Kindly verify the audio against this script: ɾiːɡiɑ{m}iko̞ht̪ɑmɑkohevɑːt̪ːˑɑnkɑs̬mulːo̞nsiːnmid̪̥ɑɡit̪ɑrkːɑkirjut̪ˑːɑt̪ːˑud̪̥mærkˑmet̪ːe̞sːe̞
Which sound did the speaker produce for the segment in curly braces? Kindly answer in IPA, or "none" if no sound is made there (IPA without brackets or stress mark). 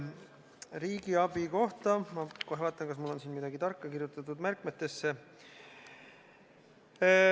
b